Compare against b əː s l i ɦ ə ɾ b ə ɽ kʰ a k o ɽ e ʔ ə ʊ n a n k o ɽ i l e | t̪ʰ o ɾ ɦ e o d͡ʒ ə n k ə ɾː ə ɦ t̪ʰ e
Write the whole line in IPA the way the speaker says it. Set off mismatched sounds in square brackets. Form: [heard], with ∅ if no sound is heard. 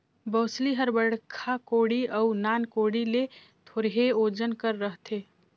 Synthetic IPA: b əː s l i ɦ ə ɾ b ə ɽ kʰ a k o ɽ [i] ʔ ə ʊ n a n k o ɽ i l e | t̪ʰ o ɾ ɦ e o d͡ʒ ə n k ə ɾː ə ɦ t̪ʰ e